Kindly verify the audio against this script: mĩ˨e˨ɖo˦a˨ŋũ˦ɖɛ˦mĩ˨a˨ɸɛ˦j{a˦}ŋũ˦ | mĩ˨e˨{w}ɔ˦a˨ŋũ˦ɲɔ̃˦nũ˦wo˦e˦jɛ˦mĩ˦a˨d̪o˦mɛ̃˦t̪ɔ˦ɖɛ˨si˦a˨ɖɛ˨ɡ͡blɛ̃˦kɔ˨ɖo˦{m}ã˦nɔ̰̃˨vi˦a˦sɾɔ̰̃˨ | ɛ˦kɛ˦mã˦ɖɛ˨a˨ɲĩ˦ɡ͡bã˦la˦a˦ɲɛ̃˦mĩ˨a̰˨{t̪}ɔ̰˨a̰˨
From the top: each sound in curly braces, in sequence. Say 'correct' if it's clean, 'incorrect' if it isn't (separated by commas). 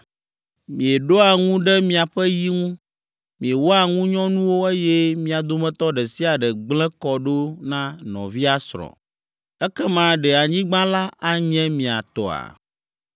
incorrect, correct, incorrect, correct